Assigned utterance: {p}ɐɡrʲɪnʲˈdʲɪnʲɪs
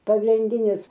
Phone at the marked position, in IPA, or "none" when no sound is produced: p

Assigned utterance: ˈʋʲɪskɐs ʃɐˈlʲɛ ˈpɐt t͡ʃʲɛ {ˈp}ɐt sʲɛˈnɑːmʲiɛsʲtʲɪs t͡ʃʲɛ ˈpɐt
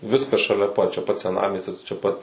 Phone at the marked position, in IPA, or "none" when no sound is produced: p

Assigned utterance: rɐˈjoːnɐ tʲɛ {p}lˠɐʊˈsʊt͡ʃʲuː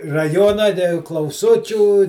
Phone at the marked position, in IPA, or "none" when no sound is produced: k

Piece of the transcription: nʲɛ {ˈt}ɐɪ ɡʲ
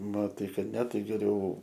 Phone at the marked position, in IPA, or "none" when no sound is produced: t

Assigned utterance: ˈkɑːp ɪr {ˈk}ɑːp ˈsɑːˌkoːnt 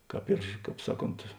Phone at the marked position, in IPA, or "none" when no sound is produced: k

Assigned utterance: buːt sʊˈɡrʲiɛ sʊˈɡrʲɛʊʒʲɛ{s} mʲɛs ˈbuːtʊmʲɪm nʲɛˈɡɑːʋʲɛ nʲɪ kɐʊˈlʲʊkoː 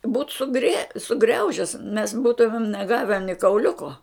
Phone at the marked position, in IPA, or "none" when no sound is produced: s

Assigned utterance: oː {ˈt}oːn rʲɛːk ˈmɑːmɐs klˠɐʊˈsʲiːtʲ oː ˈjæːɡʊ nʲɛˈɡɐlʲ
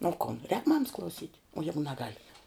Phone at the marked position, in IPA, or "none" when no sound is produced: k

